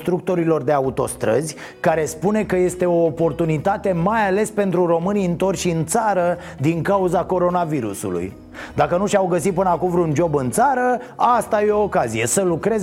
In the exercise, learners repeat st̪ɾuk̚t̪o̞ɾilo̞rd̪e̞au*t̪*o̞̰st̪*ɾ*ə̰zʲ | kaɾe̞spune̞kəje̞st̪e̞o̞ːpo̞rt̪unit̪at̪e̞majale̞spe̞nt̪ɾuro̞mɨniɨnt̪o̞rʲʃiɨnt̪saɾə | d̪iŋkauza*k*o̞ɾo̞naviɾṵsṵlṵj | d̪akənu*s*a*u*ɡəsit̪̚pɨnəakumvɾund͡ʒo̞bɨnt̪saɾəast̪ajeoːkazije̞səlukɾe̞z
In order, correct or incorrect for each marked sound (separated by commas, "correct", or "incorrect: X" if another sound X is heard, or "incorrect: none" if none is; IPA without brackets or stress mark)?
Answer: correct, correct, correct, incorrect: ʃ, incorrect: w